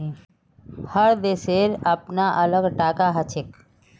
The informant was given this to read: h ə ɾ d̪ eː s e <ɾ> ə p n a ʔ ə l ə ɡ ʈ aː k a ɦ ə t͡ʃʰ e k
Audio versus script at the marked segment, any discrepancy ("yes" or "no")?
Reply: no